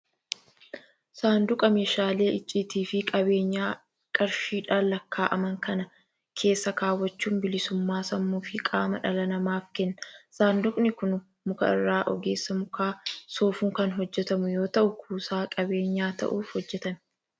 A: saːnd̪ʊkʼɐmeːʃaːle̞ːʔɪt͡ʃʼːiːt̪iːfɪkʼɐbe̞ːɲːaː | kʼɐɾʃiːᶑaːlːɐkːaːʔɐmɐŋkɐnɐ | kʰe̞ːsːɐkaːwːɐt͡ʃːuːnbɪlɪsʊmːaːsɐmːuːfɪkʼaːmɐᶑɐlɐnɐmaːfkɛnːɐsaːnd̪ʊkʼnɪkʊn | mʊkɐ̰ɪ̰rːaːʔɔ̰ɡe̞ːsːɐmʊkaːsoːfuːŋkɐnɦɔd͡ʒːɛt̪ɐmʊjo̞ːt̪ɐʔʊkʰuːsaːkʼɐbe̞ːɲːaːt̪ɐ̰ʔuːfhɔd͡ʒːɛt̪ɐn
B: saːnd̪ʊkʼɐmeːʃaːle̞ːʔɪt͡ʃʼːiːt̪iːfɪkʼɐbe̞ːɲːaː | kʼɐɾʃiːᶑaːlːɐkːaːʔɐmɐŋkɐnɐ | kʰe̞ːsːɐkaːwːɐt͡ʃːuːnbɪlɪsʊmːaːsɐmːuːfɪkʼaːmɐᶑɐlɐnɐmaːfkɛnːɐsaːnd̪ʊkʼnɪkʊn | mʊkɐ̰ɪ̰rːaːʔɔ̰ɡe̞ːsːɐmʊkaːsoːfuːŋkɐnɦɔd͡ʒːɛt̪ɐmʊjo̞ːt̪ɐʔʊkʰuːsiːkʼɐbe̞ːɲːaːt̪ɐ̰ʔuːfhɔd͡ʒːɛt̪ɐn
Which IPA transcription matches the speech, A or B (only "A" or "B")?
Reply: A